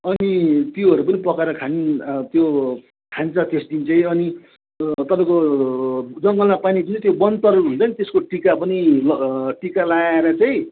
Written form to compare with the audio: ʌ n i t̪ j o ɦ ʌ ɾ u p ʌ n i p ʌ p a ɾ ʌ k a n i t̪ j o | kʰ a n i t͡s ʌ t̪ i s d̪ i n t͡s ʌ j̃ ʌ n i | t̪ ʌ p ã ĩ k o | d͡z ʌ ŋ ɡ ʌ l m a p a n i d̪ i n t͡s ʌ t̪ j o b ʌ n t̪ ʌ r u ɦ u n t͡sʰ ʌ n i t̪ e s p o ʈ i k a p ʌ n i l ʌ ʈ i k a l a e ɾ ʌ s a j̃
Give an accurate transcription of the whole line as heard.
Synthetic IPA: ʌ n i t̪ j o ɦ ʌ ɾ u p ʌ n i p ʌ k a ɾ ʌ kʰ a n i t̪ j o | kʰ a n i t͡s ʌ t̪ e s d̪ i n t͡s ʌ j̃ ʌ n i | t̪ ʌ p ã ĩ k o | d͡z ʌ ŋ ɡ ʌ l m a p a n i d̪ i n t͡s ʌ t̪ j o b ʌ n t̪ ʌ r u ɦ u n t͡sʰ ʌ n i t̪ e s k o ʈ i k a p ʌ n i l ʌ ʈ i k a l a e ɾ ʌ t͡s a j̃

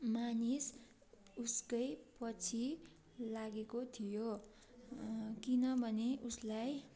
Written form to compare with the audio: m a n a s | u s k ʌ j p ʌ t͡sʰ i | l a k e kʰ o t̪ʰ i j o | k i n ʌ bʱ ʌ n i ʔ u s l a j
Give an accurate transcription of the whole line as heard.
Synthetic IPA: m a n i s | u s k ʌ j p ʌ t͡sʰ i | l a ɡ e k o t̪ʰ i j o | k i n ʌ bʱ ʌ n e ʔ u s l a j

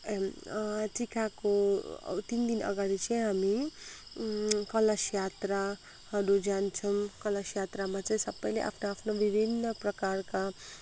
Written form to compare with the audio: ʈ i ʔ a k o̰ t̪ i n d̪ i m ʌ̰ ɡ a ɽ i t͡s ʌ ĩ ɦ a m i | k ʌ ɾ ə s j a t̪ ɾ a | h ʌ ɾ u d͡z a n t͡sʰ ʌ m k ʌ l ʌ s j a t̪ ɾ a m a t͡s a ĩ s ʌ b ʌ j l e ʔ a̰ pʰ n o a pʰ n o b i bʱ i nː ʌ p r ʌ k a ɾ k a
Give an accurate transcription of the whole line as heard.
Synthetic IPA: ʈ i k a k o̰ t̪ i n d̪ i n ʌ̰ ɡ a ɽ i t͡s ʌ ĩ ɦ a m i | k ʌ l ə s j a t̪ ɾ a | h ʌ ɾ u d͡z a n t͡sʰ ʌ m k ʌ l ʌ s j a t̪ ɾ a m a t͡s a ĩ s ʌ b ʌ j l e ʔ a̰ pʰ n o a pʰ n o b i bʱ i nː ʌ p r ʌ k a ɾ k a

